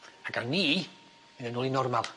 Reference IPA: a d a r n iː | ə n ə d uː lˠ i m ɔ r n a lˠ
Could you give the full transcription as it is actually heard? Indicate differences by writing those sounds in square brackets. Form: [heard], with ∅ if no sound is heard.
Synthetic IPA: a [ɡ] a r n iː | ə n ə [n] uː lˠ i [n] ɔ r [m] a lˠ